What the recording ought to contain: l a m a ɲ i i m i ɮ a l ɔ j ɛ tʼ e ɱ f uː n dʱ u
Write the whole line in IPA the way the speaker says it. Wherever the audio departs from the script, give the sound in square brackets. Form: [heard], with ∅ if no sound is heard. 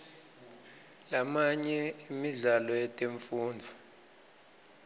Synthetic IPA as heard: l a m a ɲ [ɛ] i m i ɮ a l ɔ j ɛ tʼ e ɱ f uː n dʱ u